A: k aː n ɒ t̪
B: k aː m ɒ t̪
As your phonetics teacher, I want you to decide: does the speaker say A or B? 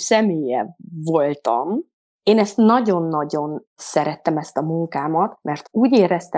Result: B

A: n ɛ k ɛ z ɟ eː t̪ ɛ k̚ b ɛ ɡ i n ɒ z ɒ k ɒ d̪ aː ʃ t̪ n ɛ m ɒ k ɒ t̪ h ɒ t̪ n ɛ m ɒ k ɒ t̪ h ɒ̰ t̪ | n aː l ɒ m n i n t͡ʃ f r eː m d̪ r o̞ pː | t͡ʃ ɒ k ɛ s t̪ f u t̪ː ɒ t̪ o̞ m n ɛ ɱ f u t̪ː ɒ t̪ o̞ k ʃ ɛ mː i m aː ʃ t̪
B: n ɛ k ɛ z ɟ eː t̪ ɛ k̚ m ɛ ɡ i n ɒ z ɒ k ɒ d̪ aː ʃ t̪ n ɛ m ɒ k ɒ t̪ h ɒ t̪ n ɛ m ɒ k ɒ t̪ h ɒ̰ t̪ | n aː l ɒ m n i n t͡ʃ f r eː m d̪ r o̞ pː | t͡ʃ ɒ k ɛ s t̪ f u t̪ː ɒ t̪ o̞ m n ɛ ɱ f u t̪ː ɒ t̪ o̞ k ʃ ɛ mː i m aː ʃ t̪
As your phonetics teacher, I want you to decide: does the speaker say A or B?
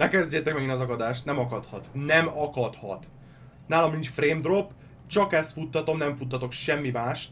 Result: B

